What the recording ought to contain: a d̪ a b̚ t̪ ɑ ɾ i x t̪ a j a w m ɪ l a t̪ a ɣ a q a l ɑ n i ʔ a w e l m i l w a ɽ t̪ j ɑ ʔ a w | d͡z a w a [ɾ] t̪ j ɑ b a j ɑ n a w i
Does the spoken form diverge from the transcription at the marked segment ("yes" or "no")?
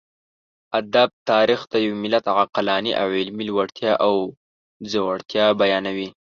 yes